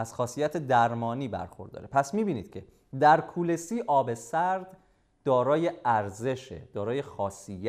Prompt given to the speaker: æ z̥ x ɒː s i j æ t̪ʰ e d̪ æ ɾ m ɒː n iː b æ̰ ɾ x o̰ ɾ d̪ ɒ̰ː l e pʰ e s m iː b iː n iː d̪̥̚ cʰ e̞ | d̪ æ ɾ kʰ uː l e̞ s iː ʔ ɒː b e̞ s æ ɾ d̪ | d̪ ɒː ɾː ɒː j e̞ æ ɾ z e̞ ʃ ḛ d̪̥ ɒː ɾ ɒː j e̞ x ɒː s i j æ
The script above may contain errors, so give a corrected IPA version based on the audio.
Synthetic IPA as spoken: æ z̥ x ɒː s i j æ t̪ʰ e d̪ æ ɾ m ɒː n iː b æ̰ ɾ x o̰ ɾ d̪ ɒ̰ː ɾ e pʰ æ s m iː b iː n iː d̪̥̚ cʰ e̞ | d̪ æ ɾ kʰ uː l e̞ s iː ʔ ɒː b e̞ s æ ɾ d̪ | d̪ ɒː ɾ ɒː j e̞ æ ɾ z e̞ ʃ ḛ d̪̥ ɒː ɾ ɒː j e̞ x ɒː s i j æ